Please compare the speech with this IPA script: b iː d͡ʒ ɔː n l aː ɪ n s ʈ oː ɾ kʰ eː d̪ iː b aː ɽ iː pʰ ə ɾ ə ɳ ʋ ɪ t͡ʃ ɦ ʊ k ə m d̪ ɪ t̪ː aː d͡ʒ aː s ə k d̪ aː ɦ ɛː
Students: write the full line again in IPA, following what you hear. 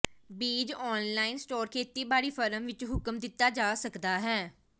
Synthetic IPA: b iː d͡ʒ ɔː n l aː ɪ n s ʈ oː ɾ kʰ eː t̪ iː b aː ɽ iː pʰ ə ɾ ə m ʋ ɪ t͡ʃ ɦ ʊ k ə m d̪ ɪ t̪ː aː d͡ʒ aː s ə k d̪ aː ɦ ɛː